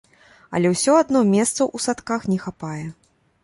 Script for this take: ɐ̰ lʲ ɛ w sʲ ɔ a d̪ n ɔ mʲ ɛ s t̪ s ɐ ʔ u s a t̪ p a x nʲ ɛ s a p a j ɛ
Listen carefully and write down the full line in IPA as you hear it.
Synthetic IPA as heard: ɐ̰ lʲ ɛ w sʲ ɔ a d̪ n ɔ mʲ ɛ s t̪ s ɐ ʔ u s a t̪ k a x nʲ ɛ x a p a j ɛ